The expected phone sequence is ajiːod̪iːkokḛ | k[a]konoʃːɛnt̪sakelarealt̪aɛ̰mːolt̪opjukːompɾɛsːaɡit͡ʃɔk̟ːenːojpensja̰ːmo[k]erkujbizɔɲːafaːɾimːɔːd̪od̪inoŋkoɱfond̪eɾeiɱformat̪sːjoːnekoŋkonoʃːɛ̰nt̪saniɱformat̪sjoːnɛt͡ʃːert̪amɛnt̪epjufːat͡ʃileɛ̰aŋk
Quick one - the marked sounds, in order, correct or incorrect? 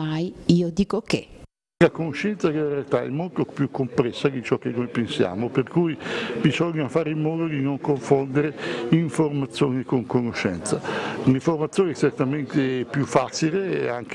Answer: correct, incorrect

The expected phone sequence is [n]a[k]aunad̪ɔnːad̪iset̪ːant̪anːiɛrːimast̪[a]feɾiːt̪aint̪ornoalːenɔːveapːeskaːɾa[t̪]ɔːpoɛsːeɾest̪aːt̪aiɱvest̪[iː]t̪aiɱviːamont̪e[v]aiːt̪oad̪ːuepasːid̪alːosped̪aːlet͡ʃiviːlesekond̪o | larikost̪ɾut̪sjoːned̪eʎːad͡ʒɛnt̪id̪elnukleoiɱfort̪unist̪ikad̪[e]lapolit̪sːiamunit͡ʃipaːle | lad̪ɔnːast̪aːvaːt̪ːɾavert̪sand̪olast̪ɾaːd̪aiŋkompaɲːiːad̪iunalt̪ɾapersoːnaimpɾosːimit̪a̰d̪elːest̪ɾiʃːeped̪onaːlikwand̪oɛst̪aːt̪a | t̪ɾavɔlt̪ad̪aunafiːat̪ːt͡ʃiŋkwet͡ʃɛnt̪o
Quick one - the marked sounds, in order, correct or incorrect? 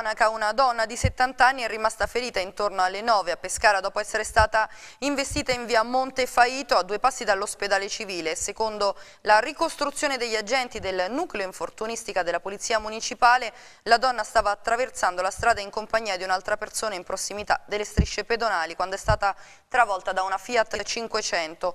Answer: correct, correct, correct, incorrect, correct, incorrect, correct

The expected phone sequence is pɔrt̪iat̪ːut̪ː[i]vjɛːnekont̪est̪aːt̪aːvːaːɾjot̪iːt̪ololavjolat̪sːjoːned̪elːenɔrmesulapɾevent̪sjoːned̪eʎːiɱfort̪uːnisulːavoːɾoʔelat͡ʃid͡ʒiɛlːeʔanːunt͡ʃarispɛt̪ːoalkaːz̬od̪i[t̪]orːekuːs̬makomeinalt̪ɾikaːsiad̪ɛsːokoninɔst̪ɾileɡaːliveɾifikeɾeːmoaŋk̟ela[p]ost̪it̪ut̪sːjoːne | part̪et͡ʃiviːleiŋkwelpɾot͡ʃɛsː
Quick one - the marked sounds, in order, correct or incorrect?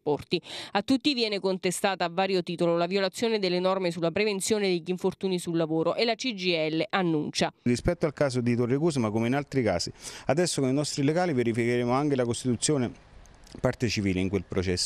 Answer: correct, correct, incorrect

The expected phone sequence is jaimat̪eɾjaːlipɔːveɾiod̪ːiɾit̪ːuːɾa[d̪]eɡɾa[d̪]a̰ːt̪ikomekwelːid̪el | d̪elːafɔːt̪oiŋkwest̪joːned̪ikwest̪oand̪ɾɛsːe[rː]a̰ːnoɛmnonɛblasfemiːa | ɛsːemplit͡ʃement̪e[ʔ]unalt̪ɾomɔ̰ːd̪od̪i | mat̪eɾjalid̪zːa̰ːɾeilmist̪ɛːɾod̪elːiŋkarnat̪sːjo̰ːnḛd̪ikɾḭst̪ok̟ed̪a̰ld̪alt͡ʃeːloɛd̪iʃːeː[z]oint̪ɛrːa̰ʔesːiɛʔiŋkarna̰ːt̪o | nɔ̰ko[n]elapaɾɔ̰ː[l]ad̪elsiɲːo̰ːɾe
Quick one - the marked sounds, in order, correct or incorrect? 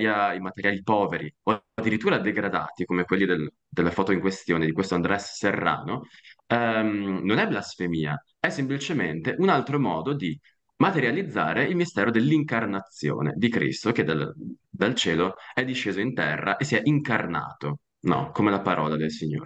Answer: correct, correct, correct, correct, correct, incorrect, correct

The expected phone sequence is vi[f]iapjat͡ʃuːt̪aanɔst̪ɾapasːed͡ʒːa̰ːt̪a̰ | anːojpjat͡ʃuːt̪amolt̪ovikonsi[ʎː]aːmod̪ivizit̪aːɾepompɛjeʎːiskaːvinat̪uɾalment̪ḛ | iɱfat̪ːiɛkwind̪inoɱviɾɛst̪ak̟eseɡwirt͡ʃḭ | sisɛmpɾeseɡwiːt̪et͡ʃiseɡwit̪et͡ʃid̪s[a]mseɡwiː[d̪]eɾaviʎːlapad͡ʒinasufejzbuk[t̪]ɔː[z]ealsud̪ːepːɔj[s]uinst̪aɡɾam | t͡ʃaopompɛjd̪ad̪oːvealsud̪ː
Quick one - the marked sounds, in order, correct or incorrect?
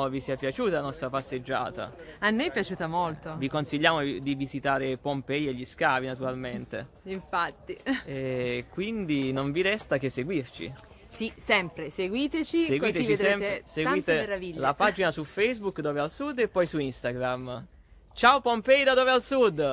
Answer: incorrect, correct, incorrect, incorrect, incorrect, incorrect, correct

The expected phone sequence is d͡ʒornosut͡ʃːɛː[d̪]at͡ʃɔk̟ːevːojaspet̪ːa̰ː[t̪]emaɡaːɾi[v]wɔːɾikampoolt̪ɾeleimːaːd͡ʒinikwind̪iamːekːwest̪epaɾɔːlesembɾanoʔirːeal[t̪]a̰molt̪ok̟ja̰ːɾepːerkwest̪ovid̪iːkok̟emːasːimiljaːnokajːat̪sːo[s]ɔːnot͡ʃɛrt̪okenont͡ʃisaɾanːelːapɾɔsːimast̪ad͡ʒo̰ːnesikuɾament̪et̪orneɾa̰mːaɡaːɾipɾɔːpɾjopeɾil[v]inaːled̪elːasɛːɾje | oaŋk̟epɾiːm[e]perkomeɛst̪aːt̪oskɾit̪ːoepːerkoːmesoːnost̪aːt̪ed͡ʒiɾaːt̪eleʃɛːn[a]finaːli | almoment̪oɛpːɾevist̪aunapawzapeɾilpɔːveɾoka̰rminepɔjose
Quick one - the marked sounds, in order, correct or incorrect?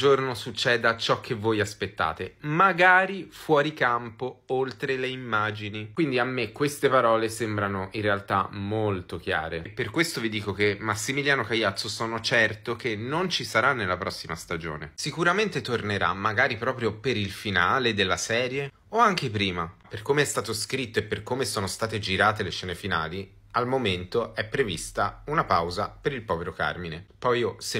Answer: correct, correct, incorrect, correct, correct, incorrect, incorrect, incorrect

